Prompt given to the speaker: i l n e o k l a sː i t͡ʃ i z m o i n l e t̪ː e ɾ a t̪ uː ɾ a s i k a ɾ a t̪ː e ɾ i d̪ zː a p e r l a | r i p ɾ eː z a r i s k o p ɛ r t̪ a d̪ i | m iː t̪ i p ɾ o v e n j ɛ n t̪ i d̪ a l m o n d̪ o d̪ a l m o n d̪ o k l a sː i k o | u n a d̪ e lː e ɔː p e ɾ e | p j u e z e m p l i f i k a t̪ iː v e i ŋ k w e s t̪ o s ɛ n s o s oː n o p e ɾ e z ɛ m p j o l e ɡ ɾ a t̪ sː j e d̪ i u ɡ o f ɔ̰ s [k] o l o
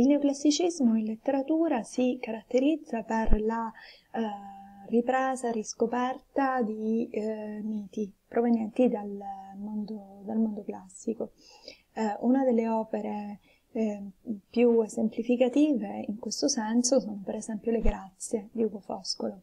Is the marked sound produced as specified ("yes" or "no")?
yes